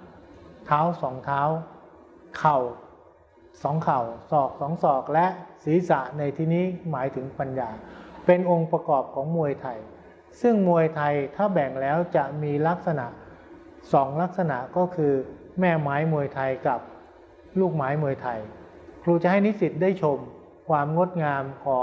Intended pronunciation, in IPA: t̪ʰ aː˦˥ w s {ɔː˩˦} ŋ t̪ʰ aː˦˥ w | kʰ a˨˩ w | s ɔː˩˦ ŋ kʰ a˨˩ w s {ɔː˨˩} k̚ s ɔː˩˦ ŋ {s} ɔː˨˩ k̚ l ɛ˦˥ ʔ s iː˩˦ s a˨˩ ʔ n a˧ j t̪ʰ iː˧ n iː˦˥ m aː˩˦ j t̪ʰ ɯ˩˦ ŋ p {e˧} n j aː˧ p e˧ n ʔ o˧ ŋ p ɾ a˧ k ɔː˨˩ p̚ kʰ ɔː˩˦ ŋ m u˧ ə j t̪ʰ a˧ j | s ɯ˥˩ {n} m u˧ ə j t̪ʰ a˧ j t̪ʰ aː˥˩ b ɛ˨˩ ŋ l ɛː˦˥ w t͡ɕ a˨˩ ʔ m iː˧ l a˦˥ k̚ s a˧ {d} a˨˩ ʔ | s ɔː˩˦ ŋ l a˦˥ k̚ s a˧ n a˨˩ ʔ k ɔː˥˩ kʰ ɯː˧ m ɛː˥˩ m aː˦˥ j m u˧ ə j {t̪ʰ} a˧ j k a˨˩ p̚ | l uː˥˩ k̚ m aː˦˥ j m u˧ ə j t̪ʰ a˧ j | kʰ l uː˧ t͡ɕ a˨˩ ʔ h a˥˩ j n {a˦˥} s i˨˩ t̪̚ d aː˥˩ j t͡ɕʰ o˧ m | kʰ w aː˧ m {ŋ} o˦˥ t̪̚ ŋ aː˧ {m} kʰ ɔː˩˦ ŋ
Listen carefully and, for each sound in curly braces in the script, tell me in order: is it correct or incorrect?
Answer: correct, correct, correct, incorrect: a˧, incorrect: ŋ, incorrect: n, correct, incorrect: i˦˥, correct, correct

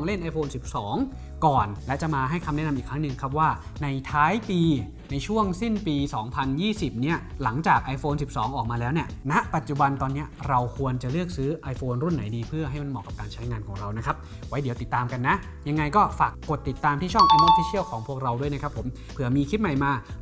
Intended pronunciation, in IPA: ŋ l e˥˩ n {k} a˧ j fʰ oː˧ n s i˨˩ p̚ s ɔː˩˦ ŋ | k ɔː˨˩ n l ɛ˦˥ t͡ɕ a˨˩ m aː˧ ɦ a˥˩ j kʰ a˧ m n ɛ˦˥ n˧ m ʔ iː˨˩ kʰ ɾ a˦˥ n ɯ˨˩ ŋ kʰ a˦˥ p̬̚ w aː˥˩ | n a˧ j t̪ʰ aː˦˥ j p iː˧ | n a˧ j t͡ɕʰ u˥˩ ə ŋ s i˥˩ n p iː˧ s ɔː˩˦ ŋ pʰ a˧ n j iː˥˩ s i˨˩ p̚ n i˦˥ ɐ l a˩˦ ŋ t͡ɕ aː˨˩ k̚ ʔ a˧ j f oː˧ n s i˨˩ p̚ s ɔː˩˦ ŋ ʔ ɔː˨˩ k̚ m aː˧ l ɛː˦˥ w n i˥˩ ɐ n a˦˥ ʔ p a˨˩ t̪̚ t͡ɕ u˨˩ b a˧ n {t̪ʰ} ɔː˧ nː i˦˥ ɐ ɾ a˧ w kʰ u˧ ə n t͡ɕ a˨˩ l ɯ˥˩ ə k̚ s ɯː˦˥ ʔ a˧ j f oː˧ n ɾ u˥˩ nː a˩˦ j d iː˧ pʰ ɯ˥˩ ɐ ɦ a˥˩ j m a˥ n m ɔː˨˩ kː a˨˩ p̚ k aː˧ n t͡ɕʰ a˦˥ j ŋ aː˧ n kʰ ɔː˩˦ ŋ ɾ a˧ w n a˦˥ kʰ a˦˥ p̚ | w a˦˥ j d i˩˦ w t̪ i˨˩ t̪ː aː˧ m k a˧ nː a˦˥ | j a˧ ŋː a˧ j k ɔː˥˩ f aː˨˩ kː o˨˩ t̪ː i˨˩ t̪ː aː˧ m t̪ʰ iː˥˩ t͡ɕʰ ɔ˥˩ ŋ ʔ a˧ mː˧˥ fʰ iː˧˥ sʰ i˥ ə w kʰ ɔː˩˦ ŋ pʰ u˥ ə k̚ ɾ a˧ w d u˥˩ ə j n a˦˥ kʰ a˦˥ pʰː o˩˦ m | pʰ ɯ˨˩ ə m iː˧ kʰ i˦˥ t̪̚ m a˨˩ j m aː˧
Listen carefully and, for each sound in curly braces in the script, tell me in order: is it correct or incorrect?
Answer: incorrect: ʔ, incorrect: t̪

